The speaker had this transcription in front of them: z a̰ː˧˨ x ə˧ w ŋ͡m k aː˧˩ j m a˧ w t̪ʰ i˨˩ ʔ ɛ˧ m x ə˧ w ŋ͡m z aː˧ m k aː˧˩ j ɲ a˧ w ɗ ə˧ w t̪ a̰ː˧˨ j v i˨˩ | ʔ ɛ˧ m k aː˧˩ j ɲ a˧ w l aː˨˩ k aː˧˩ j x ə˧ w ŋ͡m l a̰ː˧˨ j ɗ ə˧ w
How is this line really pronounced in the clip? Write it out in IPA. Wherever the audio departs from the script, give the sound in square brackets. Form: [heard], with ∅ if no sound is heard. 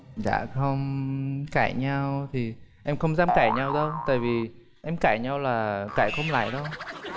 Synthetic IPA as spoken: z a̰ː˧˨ x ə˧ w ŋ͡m k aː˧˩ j [ɲ] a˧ w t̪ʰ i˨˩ ʔ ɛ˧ m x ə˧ w ŋ͡m z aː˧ m k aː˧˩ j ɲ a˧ w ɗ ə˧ w t̪ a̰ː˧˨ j v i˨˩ | ʔ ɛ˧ m k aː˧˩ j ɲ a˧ w l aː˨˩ k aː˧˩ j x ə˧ w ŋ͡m l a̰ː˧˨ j ɗ ə˧ w